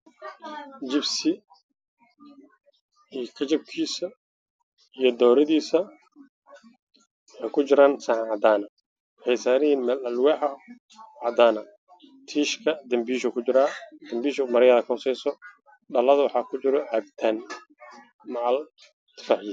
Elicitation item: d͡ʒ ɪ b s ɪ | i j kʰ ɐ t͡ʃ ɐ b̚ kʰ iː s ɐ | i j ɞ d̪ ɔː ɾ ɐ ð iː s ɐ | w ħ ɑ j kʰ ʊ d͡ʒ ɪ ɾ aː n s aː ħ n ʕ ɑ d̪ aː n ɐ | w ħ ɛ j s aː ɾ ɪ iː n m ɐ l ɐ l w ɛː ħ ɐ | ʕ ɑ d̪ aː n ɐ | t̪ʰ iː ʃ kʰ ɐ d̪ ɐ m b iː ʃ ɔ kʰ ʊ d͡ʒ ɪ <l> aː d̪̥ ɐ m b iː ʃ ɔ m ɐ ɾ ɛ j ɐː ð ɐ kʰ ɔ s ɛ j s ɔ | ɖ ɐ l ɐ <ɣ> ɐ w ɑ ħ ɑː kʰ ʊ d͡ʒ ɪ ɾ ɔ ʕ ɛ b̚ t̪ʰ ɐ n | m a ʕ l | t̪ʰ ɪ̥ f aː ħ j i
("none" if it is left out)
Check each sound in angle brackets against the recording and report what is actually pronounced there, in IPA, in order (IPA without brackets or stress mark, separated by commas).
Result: ɾ, ð